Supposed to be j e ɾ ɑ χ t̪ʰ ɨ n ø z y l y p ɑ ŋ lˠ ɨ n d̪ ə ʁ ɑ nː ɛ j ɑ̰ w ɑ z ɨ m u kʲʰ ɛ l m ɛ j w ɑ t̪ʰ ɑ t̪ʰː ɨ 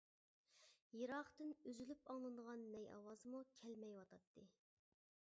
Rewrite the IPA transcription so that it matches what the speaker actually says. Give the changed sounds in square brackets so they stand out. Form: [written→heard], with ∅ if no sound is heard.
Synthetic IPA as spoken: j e ɾ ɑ χ [t̪ʰ→t̪] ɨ n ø z y l y p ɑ ŋ lˠ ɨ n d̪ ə ʁ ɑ nː ɛ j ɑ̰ w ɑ z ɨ m u kʲʰ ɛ l m ɛ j w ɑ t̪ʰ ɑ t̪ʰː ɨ